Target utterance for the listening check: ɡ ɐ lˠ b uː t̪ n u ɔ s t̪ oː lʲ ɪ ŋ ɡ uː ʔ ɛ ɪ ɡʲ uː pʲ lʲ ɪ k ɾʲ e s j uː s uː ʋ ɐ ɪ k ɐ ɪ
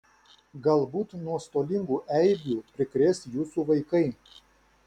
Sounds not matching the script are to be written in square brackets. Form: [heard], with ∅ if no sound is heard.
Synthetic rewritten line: ɡ ɐ lˠ b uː t̪ n u ɔ s t̪ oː lʲ ɪ ŋ ɡ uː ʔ ɛ ɪ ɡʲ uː pʲ [ɾʲ] ɪ k ɾʲ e s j uː s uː ʋ ɐ ɪ k ɐ ɪ